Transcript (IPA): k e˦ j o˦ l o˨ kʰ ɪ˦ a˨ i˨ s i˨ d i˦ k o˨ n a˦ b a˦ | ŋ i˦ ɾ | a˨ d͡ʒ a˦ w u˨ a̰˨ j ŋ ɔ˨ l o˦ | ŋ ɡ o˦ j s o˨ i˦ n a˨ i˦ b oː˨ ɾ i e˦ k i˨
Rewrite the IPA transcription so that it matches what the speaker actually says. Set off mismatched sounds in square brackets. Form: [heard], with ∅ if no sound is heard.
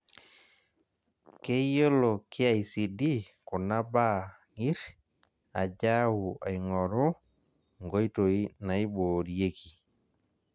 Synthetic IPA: k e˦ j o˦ l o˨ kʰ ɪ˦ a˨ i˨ s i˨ d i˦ k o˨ n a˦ b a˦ | ŋ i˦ ɾ | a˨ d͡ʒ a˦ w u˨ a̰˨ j ŋ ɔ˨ [ɾ] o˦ | ŋ ɡ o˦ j [t] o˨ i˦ n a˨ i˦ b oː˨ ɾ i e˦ k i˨

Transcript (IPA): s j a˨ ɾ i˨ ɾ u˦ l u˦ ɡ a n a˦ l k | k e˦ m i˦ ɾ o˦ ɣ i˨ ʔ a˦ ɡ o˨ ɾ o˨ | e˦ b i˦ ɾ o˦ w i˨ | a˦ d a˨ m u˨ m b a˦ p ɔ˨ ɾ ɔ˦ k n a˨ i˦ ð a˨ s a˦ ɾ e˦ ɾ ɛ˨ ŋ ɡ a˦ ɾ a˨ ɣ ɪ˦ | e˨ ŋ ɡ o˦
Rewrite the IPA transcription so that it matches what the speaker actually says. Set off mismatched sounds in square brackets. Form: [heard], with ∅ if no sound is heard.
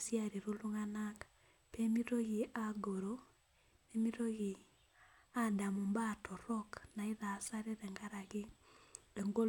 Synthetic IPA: s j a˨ ɾ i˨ ɾ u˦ l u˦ [ŋ] a n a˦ [∅] k | [p] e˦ m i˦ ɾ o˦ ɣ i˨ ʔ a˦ ɡ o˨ ɾ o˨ | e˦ [m] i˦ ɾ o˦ [ɣ] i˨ | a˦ d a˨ m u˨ m b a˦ [t] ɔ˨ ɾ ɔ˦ k n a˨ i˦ ð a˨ s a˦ ɾ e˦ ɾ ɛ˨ ŋ ɡ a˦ ɾ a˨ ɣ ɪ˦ | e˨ ŋ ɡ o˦

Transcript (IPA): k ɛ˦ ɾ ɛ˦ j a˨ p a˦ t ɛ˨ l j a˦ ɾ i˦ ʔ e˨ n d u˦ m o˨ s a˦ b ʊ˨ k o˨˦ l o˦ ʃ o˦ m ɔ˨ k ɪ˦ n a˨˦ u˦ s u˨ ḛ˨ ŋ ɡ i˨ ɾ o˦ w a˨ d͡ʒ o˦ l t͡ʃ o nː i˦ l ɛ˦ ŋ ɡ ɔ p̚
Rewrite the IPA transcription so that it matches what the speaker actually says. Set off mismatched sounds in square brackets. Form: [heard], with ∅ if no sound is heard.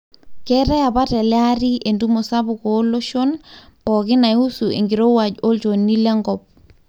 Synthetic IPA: k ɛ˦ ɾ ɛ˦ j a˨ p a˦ t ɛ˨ l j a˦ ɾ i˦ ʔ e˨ n d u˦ m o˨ s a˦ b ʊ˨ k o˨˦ l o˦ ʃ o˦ [n] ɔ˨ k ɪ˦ n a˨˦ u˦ s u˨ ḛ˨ ŋ ɡ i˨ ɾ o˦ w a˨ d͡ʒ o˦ l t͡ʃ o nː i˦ l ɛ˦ ŋ ɡ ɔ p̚

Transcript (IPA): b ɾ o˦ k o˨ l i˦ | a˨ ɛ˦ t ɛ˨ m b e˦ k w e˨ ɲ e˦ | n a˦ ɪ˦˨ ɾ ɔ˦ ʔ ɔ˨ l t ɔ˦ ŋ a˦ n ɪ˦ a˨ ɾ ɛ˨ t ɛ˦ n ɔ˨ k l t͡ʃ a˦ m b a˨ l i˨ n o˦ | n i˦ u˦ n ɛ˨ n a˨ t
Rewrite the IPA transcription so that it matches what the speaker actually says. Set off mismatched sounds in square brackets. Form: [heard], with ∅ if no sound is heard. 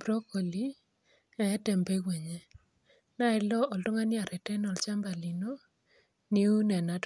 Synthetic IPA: b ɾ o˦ k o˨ l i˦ | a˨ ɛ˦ t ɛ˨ m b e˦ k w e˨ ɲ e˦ | n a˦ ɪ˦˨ [l] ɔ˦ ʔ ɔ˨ l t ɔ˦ ŋ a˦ n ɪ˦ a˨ ɾ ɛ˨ t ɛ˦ n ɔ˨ [∅] l t͡ʃ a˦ m b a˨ l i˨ n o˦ | n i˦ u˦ n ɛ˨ n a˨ t

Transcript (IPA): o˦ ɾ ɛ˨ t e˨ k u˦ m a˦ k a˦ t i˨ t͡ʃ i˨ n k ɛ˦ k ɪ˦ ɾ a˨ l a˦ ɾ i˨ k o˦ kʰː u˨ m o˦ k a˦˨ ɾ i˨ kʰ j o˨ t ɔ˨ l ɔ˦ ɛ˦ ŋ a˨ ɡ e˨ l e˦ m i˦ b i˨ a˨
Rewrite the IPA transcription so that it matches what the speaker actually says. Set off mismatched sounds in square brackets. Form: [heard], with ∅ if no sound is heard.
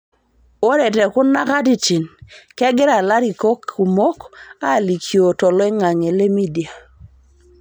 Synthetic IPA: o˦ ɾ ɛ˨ t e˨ k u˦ [n] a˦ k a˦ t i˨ t͡ʃ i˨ n k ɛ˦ [ɡ] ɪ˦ ɾ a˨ l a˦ ɾ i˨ k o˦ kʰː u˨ m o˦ k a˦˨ [l] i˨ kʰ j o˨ t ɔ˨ l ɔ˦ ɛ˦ ŋ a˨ [ŋ] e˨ l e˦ m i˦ [d] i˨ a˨

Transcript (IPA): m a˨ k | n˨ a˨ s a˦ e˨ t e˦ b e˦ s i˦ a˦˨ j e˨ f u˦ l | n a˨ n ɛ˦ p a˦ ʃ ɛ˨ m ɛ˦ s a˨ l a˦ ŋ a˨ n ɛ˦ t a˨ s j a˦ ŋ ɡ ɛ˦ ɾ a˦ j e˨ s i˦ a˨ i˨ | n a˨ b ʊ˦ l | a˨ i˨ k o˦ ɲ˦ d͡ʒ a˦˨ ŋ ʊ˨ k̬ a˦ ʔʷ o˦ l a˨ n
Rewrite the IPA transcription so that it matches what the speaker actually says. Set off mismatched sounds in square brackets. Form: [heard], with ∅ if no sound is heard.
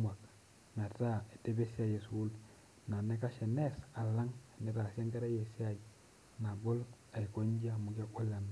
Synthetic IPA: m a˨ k | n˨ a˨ [t] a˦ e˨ t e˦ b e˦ s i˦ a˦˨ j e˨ [s] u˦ l | n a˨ n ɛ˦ [k] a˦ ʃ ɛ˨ [n] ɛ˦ s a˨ l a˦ ŋ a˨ n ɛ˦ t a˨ s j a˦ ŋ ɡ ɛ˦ ɾ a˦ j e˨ s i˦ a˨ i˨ | n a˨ b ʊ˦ l | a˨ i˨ k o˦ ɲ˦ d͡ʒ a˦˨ [m] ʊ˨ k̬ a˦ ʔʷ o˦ l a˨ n

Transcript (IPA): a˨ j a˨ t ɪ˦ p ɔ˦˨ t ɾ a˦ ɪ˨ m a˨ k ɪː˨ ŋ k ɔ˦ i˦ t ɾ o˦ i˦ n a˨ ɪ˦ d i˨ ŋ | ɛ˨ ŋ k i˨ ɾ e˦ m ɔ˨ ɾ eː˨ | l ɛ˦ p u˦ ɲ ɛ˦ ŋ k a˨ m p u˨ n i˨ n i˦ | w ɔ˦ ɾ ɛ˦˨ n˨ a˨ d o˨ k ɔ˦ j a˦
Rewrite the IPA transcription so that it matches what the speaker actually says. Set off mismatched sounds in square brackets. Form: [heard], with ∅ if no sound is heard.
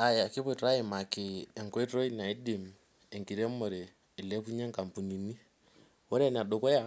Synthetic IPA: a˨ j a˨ [k] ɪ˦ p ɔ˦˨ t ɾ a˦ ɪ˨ m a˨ k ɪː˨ ŋ k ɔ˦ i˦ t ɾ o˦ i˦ n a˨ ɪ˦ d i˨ [m] | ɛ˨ ŋ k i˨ ɾ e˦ m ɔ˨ ɾ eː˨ | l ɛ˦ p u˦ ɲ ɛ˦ ŋ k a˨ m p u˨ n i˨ n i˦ | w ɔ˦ ɾ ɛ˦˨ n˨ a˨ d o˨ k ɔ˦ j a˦

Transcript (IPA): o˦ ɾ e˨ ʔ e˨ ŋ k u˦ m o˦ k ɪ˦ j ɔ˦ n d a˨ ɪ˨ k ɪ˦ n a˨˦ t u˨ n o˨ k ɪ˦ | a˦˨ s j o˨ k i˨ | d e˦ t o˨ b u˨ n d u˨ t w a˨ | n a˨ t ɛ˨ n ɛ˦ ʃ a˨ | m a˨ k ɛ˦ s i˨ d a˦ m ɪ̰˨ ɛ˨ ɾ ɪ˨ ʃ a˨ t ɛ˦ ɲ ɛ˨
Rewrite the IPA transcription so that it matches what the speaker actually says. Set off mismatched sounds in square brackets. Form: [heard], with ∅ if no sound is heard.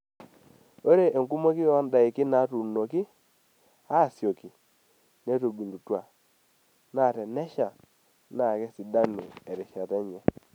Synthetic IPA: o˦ ɾ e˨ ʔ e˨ ŋ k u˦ m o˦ k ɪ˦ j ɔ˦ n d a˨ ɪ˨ k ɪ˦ n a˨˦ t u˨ n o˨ k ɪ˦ | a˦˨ s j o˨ k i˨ | [n] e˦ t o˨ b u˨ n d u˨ t w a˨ | n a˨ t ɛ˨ n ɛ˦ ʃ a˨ | [n] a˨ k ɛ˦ s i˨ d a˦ [n] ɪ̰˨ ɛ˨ ɾ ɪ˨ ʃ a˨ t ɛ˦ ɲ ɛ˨

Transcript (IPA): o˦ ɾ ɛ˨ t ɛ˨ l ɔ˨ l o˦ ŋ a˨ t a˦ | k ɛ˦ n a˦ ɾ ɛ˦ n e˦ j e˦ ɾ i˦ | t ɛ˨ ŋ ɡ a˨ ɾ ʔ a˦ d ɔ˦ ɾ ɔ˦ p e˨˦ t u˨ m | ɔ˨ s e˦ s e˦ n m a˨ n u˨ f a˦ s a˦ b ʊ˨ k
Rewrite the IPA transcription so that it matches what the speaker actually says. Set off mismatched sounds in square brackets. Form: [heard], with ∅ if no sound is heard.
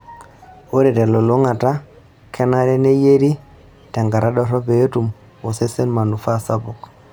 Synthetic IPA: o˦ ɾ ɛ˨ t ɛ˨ l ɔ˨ l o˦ ŋ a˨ t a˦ | k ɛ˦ n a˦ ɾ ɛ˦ n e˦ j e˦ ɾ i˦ | t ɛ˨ ŋ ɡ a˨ ɾ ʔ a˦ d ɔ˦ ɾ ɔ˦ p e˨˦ t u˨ m | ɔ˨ s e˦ s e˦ n m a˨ n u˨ f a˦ s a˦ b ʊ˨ k

